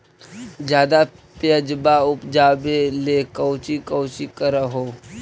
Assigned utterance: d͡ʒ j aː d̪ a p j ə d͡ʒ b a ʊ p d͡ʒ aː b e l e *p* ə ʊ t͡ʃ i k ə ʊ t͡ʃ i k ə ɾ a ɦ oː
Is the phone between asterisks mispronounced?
yes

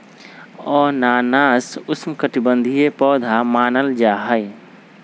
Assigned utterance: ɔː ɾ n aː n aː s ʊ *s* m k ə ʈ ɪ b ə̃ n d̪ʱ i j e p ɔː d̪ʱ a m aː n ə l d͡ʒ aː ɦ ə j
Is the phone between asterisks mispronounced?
no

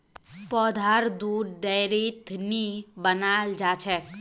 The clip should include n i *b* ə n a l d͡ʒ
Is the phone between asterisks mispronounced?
no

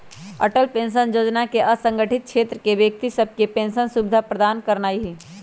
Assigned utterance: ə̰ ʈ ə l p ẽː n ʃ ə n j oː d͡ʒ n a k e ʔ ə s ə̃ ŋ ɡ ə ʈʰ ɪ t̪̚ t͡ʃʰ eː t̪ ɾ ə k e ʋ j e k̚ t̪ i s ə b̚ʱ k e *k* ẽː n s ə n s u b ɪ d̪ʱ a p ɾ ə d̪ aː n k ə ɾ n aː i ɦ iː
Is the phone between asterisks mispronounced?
yes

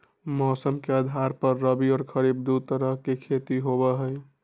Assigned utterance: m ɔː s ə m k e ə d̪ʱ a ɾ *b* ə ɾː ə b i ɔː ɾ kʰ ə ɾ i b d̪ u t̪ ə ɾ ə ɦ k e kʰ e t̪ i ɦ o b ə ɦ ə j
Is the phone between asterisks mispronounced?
yes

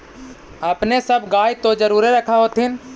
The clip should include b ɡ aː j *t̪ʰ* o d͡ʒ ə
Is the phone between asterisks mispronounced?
yes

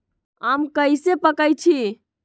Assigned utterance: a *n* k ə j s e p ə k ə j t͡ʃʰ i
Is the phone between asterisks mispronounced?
yes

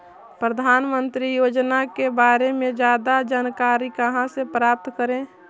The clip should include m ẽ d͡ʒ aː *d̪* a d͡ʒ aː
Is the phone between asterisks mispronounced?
no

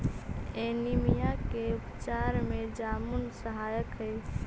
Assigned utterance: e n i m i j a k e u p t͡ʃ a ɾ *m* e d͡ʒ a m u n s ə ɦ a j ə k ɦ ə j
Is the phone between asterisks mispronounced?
no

